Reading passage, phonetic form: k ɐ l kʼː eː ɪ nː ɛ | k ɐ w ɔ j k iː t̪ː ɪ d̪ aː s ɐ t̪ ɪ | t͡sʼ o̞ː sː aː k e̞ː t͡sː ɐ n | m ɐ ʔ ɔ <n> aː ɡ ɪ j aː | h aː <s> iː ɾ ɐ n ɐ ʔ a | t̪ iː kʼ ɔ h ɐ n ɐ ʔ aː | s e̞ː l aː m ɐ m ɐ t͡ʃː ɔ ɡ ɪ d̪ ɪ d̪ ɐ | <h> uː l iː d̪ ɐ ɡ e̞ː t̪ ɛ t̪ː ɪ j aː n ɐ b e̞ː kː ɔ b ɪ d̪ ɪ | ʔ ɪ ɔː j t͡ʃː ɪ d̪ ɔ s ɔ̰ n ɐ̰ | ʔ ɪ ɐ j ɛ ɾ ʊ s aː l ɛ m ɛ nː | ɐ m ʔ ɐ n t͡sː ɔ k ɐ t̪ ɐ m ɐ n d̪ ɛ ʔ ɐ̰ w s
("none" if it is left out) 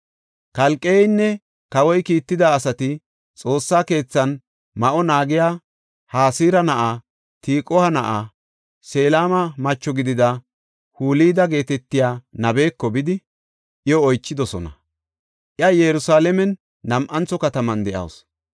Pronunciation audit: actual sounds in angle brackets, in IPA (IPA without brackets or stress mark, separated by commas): n, s, h